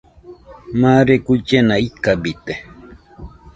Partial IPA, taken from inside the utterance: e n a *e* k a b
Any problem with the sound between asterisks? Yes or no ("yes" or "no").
yes